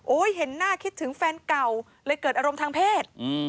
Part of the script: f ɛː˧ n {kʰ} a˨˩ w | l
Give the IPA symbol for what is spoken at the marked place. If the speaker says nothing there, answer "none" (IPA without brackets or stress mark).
k